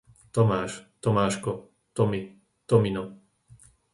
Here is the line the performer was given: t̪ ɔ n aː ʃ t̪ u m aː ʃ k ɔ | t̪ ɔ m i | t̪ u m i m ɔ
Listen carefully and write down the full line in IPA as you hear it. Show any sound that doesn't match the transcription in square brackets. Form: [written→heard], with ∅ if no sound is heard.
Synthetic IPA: t̪ ɔ [n→m] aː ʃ t̪ [u→ɔ] m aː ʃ k ɔ | t̪ ɔ m i | t̪ [u→ɔ] m i [m→n] ɔ